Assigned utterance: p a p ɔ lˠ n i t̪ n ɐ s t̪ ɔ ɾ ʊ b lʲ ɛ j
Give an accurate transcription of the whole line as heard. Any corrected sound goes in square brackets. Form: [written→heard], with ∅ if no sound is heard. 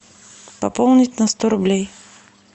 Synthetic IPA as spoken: p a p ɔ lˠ n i t̪ n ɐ s t̪ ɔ ɾ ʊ b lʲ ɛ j